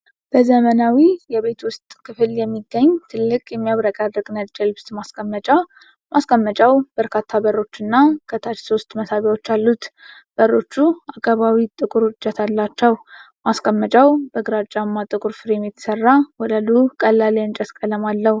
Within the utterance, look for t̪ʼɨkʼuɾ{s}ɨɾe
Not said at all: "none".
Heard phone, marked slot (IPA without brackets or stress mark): f